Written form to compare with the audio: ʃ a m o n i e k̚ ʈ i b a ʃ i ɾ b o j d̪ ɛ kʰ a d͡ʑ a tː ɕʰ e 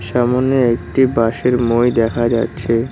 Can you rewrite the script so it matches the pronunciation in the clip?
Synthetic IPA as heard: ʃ a m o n e e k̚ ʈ i b a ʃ e ɾ m o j d̪ ɛ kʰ a d͡ʑ a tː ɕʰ e